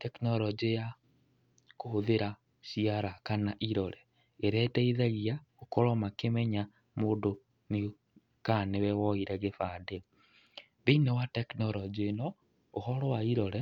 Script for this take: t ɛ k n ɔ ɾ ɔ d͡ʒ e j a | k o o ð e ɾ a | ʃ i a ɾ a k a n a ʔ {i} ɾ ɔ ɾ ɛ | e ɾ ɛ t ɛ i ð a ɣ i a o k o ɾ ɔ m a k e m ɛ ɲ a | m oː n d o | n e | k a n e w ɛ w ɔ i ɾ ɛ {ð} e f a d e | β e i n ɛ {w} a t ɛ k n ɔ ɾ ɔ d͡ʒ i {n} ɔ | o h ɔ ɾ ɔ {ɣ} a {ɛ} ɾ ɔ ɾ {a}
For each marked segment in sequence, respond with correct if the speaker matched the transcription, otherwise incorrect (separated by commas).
correct, incorrect, correct, correct, incorrect, incorrect, incorrect